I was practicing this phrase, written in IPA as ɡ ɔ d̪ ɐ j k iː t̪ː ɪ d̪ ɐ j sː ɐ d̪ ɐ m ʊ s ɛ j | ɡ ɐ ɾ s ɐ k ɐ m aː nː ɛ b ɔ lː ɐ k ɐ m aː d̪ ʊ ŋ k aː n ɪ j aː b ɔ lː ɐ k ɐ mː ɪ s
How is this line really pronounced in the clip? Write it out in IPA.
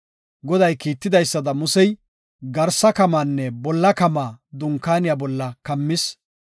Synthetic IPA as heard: ɡ ɔ d̪ ɐ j k iː t̪ː ɪ d̪ ɐ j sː ɐ d̪ ɐ m ʊ s ɛ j | ɡ ɐ ɾ s ɐ k ɐ m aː nː ɛ b ɔ lː ɐ k ɐ m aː d̪ ʊ ŋ k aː n ɪ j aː b ɔ lː ɐ k ɐ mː ɪ s

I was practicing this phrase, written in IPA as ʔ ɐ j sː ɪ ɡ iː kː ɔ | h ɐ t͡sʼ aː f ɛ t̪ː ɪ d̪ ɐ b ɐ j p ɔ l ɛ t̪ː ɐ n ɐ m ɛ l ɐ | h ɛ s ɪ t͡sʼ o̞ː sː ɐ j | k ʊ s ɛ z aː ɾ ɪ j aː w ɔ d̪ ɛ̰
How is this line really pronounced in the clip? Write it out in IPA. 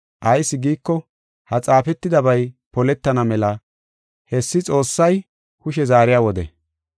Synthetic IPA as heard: ʔ ɐ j sː ɪ ɡ iː kː ɔ | h ɐ t͡sʼ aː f ɛ t̪ː ɪ d̪ ɐ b ɐ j p ɔ l ɛ t̪ː ɐ n ɐ m ɛ l ɐ | h ɛ sː ɪ t͡sʼ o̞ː sː ɐ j | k ʊ ʃ ɛ z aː ɾ ɪ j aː w ɔ d̪ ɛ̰

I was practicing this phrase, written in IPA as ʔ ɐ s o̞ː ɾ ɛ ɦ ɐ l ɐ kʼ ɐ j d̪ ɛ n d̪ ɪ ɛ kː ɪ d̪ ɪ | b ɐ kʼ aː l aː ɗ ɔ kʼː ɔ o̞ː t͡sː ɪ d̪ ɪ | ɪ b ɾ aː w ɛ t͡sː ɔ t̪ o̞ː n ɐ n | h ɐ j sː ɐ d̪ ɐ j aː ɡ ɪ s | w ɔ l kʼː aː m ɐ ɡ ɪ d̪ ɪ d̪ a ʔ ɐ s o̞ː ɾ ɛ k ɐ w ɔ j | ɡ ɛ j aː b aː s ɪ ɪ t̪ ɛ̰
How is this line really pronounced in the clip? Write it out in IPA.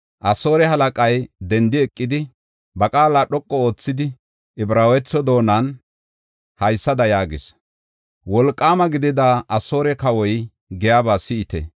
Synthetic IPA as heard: ʔ ɐ s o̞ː ɾ ɛ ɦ ɐ l ɐ kʼ ɐ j d̪ ɛ n d̪ ɪ ɛ kʼː ɪ d̪ ɪ | b ɐ kʼ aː l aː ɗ ɔ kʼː ɔ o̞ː t͡sː ɪ d̪ ɪ | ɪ b ɾ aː w ɛ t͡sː ɔ d̪ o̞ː n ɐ n | h ɐ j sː ɐ d̪ ɐ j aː ɡ ɪ s | w ɔ l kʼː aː m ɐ ɡ ɪ d̪ ɪ d̪ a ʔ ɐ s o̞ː ɾ ɛ k ɐ w ɔ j | ɡ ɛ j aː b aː s ɪ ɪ t̪ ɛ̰

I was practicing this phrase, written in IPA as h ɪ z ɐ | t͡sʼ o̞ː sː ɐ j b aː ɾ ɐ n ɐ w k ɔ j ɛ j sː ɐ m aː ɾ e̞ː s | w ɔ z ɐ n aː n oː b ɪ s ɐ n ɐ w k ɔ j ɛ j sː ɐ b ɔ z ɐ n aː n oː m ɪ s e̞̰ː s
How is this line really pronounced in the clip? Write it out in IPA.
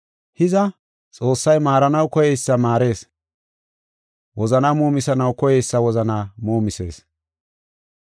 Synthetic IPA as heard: h ɪ z ɐ | t͡sʼ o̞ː sː ɐ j m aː ɾ ɐ n ɐ w k ɔ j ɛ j sː ɐ m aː ɾ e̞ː s | w ɔ z ɐ n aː m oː m ɪ s ɐ n ɐ w k ɔ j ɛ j sː ɐ w ɔ z ɐ n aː m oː m ɪ s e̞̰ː s

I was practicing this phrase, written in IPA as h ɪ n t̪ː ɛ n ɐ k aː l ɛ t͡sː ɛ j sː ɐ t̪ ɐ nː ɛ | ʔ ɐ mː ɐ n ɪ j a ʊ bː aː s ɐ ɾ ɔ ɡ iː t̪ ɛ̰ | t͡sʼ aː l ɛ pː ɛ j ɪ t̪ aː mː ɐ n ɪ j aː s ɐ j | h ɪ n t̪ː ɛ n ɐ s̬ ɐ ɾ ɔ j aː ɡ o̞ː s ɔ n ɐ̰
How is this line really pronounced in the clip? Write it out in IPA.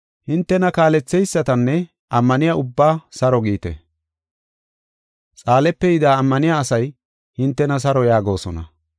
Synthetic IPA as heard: h ɪ n t̪ː ɛ n ɐ k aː l ɛ t͡sː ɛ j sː ɐ t̪ ɐ nː ɛ | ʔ ɐ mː ɐ n ɪ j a ʊ bː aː s ɐ ɾ ɔ ɡ iː t̪ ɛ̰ | t͡sʼ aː l ɛ pː ɛ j ɪ d̪ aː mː ɐ n ɪ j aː s ɐ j | h ɪ n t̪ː ɛ n ɐ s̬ ɐ ɾ ɔ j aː ɡ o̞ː s ɔ n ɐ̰

